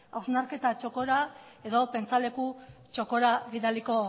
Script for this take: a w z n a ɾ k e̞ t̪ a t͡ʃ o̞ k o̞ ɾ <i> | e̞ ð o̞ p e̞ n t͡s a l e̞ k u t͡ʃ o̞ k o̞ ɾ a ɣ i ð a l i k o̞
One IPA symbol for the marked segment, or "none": a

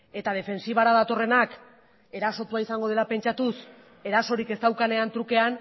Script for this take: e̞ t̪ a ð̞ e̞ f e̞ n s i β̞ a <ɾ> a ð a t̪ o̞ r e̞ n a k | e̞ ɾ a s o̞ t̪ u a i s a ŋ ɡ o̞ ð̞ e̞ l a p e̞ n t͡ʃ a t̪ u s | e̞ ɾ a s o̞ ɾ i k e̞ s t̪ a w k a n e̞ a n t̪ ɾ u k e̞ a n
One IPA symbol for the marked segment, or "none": ɾ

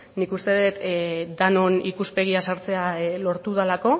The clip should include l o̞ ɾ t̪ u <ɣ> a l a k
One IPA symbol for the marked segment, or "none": ð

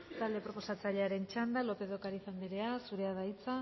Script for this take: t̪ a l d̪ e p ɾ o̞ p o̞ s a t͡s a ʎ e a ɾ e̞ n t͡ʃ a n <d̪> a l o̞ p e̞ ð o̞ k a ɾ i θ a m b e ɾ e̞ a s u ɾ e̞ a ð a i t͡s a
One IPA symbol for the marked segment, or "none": d̪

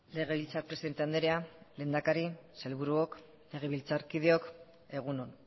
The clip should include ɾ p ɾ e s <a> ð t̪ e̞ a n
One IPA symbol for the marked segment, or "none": i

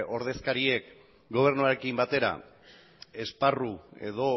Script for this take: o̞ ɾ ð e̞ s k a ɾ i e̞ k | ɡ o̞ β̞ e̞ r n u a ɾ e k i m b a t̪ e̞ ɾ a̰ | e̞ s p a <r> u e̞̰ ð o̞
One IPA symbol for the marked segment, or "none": r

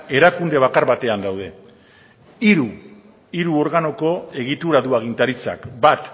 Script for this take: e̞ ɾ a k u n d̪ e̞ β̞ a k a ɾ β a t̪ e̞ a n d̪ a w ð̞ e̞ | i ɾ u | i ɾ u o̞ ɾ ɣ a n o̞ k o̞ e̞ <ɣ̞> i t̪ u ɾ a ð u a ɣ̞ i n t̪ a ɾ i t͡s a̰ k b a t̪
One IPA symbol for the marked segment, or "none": ɣ̞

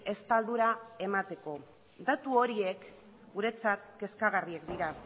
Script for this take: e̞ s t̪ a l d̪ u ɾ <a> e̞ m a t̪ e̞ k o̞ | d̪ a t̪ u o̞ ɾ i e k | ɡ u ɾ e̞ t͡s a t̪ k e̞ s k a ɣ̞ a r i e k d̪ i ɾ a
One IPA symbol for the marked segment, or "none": a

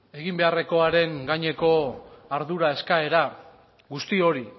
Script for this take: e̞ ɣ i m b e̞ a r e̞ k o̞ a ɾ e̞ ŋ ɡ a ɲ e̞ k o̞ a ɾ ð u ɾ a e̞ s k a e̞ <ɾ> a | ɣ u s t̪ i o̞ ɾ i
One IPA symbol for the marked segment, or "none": ɾ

